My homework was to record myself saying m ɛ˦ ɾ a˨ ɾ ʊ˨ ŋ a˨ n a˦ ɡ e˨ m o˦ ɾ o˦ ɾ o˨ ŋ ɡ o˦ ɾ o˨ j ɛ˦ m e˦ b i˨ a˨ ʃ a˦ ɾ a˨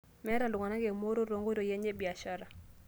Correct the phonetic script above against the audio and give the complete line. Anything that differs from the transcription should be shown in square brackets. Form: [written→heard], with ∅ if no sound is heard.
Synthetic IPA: m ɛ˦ ɾ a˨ [ɾ→l] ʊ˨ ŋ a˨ n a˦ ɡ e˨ m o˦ ɾ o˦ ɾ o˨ ŋ ɡ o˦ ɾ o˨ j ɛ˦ [m→ɲ] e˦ b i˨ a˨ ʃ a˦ ɾ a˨